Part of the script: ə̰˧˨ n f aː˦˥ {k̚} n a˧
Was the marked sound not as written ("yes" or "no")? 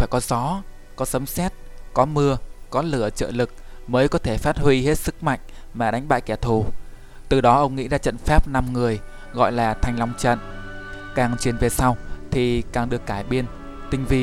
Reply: yes